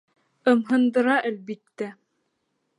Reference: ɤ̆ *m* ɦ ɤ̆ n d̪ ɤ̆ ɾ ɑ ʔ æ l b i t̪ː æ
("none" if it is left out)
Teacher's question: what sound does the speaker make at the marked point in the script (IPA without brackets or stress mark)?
m